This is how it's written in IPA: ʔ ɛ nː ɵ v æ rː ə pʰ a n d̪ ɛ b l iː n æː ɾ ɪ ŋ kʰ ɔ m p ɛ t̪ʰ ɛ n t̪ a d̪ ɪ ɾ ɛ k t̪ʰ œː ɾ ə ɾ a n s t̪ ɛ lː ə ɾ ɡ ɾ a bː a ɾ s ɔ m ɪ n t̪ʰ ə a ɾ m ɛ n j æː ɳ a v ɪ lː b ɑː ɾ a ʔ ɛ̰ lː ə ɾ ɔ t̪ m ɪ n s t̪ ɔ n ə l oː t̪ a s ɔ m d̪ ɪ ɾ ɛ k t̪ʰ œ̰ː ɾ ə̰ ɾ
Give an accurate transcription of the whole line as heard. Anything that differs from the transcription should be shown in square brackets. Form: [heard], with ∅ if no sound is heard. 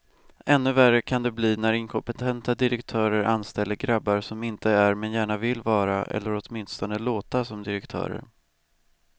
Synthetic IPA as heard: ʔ ɛ nː ɵ v æ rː ə [kʰ] a n d̪ ɛ b l iː n [æ] ɾ ɪ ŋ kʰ ɔ m p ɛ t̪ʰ ɛ n t̪ a d̪ ɪ ɾ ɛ k t̪ʰ œː ɾ ə ɾ a n s t̪ ɛ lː ə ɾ ɡ ɾ a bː a ɾ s ɔ m ɪ n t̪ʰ ə [æ] ɾ m ɛ n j æː ɳ a v ɪ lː [v] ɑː ɾ a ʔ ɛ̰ lː ə ɾ ɔ t̪ m ɪ n s t̪ ɔ n ə l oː t̪ a s ɔ m d̪ ɪ ɾ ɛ k t̪ʰ œ̰ː ɾ ə̰ ɾ